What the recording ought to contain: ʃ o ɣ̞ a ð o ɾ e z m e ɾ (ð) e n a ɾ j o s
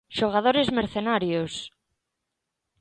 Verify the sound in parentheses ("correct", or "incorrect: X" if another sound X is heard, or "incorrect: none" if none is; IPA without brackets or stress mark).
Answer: incorrect: θ